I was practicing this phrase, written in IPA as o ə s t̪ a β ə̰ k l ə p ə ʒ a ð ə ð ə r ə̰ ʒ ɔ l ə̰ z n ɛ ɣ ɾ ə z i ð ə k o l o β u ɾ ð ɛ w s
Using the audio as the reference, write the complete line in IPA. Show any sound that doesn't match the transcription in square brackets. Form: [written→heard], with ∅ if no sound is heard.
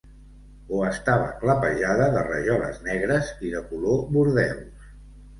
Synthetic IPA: o ə s t̪ a β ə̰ k l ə p ə ʒ a ð ə ð ə r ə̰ ʒ ɔ l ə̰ z n ɛ ɣ ɾ ə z i ð ə k [o→u] l o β u ɾ ð ɛ w s